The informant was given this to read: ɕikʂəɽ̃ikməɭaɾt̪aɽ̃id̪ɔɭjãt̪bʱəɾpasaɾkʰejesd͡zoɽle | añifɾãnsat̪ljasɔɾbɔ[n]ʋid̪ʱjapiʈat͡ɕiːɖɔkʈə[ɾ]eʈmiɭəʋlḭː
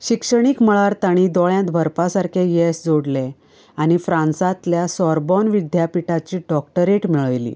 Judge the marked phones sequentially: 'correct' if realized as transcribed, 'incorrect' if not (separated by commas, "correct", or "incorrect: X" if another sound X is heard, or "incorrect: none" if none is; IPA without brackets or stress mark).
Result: correct, correct